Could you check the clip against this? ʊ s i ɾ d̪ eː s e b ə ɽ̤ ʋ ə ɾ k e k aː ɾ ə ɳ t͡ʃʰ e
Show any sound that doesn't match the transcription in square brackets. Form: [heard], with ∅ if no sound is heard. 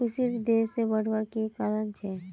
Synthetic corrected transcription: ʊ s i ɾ d̪ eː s e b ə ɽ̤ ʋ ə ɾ k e k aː ɾ ə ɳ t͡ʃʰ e